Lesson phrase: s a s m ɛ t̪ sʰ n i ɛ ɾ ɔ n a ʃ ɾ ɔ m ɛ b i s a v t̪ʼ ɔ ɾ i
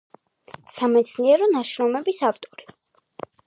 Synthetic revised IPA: s a m ɛ t̪ sʰ n i ɛ ɾ ɔ n a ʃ ɾ ɔ m ɛ b i s a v t̪ʼ ɔ ɾ i